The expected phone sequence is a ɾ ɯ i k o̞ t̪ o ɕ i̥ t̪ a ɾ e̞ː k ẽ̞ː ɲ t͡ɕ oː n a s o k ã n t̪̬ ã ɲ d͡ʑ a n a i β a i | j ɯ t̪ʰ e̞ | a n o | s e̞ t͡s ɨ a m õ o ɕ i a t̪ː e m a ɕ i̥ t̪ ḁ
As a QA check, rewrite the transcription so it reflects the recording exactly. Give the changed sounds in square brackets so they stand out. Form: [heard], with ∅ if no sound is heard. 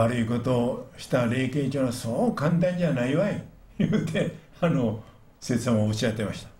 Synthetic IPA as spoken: a ɾ ɯ i k o̞ t̪ o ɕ i̥ t̪ a ɾ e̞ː k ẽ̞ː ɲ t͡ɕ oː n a s o k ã n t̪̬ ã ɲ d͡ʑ a n a i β a i | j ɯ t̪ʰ e̞ | a n o | s e̞ t͡s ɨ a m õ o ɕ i a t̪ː e m a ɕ i̥ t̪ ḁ